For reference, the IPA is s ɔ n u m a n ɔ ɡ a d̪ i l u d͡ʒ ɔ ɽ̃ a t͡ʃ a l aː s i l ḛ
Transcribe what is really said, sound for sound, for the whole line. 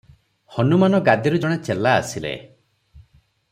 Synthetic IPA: h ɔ n u m a n ɔ ɡ a d̪ i ɾ u d͡ʒ ɔ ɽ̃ e t͡ʃ e l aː s i l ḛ